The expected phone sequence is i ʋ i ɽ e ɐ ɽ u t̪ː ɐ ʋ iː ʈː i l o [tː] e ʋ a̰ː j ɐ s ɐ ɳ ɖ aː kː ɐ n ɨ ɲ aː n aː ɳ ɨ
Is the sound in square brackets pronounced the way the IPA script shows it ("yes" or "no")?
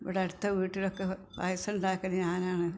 no